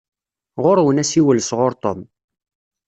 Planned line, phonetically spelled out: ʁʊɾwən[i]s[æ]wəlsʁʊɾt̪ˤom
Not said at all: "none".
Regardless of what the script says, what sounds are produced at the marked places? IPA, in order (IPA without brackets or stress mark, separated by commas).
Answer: æ, i